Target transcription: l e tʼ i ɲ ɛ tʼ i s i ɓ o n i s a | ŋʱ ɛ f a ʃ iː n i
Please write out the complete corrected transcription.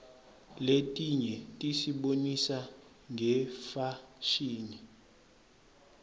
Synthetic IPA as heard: l e tʼ i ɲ ɛ tʼ i s i ɓ o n i s a | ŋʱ ɛ f a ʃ iː n i